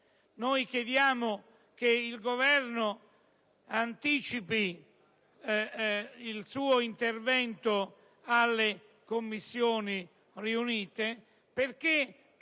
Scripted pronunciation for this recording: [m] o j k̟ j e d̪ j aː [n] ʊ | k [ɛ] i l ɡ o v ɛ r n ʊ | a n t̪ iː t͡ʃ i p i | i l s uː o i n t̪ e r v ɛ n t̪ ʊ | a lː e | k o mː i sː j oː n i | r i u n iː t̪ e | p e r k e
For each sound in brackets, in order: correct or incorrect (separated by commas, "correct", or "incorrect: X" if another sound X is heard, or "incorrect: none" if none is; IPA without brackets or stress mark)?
incorrect: n, incorrect: m, incorrect: e